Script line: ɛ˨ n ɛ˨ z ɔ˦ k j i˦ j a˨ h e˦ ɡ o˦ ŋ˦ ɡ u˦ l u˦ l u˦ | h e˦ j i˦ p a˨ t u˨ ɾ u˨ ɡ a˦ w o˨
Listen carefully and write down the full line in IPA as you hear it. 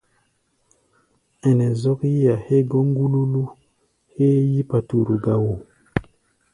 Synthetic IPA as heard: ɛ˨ n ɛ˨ z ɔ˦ k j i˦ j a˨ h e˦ ɡ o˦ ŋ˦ ɡ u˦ l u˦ l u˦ | h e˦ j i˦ p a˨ t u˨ ɾ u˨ ɡ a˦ w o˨